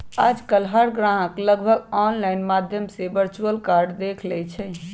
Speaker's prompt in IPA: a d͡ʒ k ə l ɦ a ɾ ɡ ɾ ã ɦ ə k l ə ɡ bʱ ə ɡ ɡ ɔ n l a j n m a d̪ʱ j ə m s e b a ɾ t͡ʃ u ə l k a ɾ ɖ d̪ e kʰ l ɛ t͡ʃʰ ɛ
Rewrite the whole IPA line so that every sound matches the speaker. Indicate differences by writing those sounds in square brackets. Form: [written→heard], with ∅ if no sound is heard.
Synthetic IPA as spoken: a d͡ʒ k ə l ɦ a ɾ ɡ ɾ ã ɦ ə k l ə ɡ bʱ ə ɡ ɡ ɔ n l a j n m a d̪ʱ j ə m s e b [a→ə] ɾ t͡ʃ u ə l k a ɾ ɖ d̪ e kʰ l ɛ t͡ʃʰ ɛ